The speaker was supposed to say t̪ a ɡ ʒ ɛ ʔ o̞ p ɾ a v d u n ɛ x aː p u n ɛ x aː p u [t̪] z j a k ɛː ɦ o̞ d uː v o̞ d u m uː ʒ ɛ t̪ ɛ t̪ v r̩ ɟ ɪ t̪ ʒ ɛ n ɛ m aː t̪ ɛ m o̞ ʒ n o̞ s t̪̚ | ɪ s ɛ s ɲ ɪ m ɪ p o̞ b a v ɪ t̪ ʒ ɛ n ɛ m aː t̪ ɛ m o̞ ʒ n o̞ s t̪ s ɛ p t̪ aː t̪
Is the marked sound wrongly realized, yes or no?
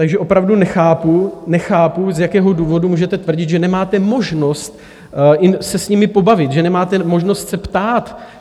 yes